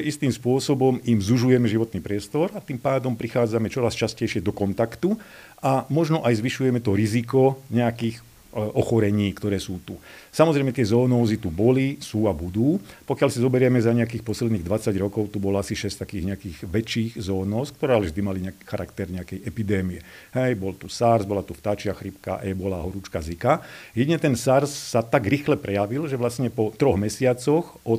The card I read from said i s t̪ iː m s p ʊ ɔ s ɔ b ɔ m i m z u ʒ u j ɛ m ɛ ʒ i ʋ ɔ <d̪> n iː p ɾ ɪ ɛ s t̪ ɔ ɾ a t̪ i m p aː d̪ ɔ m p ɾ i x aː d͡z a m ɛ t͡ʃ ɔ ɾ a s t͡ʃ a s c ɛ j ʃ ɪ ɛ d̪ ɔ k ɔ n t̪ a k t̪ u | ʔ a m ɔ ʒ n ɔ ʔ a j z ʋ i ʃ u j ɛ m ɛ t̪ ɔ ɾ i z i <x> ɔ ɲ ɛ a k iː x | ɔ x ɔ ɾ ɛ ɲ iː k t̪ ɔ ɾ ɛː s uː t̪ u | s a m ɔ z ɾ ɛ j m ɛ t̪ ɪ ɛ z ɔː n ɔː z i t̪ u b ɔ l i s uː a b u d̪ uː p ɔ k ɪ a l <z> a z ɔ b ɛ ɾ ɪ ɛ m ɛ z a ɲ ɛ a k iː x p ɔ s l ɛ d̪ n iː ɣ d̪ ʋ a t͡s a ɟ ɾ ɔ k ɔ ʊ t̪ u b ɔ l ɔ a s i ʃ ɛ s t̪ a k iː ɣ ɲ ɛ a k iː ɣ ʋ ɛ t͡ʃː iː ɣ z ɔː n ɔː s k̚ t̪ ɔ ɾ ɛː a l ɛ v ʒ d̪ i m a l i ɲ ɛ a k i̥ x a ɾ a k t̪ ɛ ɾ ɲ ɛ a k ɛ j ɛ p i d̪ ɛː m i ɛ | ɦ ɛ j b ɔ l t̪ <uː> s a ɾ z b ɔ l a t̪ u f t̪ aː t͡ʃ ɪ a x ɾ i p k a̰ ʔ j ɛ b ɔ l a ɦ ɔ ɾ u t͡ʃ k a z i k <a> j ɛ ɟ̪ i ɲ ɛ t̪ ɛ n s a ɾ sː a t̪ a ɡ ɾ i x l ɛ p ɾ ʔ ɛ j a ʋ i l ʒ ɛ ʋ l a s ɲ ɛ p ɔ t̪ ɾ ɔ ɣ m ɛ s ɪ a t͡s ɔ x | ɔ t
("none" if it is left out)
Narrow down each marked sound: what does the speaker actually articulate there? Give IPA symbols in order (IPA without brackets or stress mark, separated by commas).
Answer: t̪, k, s, u, a